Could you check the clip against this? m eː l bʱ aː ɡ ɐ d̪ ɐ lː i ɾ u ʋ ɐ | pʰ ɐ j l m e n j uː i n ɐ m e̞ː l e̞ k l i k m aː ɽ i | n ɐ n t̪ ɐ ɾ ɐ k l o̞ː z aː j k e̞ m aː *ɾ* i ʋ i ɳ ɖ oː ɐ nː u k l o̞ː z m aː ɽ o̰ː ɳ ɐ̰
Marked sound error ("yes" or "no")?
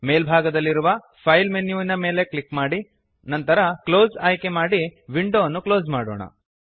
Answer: yes